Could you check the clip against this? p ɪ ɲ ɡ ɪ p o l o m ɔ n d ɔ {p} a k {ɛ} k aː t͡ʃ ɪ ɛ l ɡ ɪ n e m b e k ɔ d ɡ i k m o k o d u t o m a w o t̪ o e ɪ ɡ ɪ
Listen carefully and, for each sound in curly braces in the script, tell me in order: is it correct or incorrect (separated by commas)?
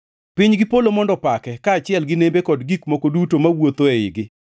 correct, correct